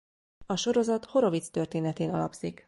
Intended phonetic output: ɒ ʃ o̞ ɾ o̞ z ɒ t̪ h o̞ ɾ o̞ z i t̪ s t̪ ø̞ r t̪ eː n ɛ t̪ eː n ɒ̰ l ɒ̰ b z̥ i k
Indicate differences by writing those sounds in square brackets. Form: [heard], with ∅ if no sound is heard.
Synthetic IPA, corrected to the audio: ɒ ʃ o̞ ɾ o̞ z ɒ t̪ h o̞ ɾ o̞ [v] i t̪ s t̪ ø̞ r t̪ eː n ɛ t̪ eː n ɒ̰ l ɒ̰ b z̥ i k